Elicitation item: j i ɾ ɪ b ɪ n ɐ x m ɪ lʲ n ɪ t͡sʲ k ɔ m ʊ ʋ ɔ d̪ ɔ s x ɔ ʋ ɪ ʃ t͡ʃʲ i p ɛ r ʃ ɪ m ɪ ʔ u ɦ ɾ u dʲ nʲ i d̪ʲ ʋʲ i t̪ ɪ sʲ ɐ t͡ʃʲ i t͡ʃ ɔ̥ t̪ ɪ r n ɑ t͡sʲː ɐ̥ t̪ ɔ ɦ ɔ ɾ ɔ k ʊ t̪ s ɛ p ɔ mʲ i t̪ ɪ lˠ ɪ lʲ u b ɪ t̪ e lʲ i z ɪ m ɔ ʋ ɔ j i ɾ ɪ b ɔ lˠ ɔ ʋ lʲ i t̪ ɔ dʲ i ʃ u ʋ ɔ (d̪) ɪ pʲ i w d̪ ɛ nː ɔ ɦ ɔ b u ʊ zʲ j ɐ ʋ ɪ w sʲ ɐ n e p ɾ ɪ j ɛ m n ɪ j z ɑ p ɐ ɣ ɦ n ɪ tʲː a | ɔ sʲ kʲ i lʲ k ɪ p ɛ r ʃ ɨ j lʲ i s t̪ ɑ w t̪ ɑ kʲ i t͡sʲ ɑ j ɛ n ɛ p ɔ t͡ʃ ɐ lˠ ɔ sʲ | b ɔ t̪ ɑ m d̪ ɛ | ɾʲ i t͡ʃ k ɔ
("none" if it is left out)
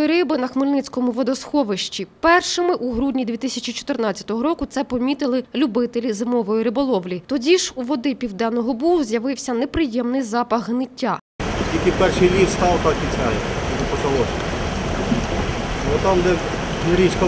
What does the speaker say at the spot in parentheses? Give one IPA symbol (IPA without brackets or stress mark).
d̪